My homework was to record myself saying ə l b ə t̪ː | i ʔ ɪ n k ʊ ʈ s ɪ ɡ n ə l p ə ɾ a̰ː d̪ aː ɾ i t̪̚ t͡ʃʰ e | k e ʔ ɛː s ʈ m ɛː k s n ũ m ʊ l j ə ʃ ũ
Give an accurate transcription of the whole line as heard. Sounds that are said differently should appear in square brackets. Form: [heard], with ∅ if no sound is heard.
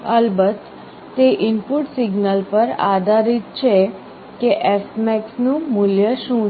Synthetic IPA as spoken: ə l b ə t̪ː | [e] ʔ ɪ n [p] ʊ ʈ s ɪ ɡ n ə l p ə ɾ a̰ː d̪ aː ɾ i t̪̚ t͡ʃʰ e | k e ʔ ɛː s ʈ m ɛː k s n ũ m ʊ l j ə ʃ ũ